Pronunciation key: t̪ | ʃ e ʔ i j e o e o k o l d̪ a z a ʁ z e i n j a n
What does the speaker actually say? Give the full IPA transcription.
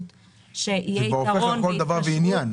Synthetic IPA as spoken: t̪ | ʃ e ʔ i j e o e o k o l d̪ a v a ʁ v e i n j a n